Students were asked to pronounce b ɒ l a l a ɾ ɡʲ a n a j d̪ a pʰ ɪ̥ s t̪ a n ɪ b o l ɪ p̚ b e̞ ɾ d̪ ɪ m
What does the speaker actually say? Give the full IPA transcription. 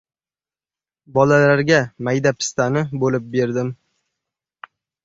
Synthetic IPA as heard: b ɒ l a l a ɾ ɡʲ a m a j d̪ a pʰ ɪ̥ s t̪ a n ɪ b o l ɪ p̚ b e̞ ɾ d̪ ɪ m